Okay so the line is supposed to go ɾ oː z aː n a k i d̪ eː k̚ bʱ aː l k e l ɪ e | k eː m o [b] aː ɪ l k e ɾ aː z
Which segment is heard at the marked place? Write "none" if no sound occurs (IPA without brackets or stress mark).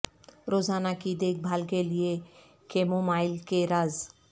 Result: m